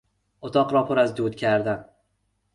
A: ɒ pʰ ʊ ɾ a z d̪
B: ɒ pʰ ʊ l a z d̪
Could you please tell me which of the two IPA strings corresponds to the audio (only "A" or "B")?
A